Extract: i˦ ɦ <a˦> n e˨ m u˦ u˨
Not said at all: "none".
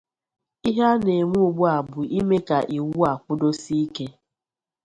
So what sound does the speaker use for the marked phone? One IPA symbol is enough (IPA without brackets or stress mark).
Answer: a˦